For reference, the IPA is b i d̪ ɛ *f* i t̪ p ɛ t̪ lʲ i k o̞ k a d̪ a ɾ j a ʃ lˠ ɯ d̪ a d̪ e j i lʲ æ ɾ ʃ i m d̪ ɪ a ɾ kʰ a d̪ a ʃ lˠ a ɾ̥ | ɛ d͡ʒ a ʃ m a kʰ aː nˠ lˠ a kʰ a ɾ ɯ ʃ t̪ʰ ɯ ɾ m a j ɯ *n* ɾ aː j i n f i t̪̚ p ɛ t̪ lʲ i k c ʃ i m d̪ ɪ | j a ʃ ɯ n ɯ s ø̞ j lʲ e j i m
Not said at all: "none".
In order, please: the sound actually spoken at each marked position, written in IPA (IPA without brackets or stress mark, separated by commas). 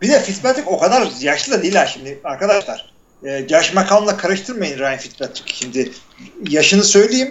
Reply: f, n